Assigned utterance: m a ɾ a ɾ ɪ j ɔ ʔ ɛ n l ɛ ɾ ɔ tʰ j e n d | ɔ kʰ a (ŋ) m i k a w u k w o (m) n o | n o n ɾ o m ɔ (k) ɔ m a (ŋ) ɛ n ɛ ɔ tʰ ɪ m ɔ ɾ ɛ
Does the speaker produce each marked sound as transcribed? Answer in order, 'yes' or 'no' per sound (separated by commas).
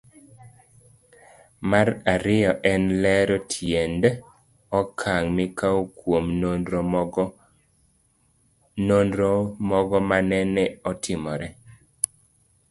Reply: yes, yes, no, no